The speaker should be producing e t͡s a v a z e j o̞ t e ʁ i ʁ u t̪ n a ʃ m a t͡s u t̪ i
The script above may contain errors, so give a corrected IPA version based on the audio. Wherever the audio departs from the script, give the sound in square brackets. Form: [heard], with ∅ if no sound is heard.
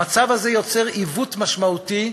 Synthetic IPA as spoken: [a] t͡s a v a z e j o̞ [t͡s] e ʁ i [v] u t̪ [m] a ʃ m a [∅] u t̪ i